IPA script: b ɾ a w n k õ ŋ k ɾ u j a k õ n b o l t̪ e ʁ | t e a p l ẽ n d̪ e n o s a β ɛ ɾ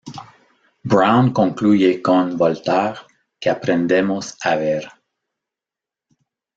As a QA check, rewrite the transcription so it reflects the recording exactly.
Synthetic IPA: b ɾ a w n k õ ŋ k l u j e k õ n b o l t̪ a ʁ | k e a p ɾ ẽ n d̪ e m o s a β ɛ ɾ